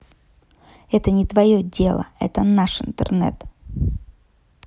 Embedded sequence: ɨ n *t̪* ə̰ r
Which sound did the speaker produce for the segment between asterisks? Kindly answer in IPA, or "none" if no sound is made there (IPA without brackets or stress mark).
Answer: t̪